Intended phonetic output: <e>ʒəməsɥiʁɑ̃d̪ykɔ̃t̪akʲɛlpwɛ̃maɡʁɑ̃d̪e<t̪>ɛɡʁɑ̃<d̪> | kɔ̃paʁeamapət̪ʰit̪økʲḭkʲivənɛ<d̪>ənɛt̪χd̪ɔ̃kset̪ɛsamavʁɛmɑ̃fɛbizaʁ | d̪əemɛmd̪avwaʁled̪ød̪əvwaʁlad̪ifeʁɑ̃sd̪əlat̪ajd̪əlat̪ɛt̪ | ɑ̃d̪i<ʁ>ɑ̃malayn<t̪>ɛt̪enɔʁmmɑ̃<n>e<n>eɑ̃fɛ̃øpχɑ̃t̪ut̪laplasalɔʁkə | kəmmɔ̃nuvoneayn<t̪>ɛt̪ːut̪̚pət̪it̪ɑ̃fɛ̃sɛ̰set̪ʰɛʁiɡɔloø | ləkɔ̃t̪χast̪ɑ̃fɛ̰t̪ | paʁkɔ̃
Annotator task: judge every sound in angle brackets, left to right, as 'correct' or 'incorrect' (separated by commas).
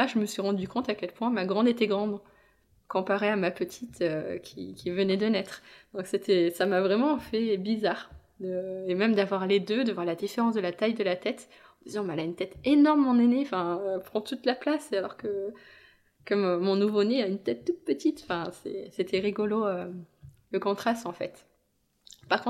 incorrect, correct, correct, correct, incorrect, correct, correct, correct, correct